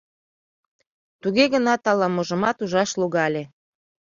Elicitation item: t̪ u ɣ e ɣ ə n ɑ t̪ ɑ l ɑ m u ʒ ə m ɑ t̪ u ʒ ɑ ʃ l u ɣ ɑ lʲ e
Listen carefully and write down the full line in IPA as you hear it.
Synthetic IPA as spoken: t̪ u ɣ e ɣ ə n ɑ t̪ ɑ l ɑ m o ʒ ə m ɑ t̪ u ʒ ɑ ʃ l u ɣ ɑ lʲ e